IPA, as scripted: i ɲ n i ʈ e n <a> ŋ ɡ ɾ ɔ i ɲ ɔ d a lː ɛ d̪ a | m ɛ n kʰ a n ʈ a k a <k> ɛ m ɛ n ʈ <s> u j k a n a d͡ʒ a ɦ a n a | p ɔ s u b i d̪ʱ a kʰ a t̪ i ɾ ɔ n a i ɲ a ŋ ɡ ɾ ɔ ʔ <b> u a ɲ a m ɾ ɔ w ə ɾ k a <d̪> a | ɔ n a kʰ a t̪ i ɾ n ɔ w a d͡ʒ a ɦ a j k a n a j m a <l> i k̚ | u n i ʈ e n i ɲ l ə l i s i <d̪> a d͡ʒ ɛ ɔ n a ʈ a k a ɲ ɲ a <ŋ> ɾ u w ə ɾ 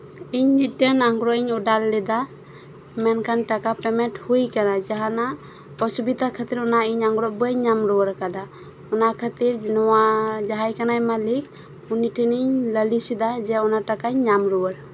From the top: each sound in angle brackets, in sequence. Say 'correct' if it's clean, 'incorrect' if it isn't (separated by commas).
correct, incorrect, incorrect, correct, correct, correct, correct, incorrect